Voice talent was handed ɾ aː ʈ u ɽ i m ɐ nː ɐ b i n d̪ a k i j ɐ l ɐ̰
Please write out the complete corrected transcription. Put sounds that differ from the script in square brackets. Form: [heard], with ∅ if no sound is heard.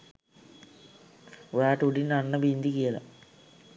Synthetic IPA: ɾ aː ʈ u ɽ i [n] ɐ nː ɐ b i n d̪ [i] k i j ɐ l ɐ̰

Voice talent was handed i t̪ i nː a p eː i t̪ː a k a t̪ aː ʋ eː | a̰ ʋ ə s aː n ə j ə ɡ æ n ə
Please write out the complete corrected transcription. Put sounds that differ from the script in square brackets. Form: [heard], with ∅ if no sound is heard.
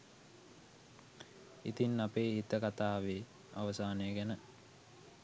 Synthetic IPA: i t̪ i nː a p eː i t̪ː [ə] k a t̪ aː ʋ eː | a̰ ʋ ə s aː n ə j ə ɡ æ n ə

